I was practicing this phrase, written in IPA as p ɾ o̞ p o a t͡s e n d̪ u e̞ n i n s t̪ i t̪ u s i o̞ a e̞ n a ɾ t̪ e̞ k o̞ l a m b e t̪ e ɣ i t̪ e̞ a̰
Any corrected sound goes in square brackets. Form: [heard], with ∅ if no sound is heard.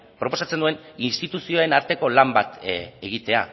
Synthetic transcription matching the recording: p ɾ o̞ p o a t͡s e n d̪ u e̞ n i n s t̪ i t̪ u s i o̞ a e̞ n a ɾ t̪ e̞ k o̞ l a m b [a] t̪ e ɣ i t̪ e̞ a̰